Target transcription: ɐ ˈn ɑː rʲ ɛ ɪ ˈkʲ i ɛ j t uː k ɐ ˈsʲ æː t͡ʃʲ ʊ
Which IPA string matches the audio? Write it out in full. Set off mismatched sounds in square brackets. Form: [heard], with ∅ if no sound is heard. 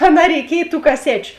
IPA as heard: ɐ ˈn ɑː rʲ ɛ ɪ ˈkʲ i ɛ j t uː k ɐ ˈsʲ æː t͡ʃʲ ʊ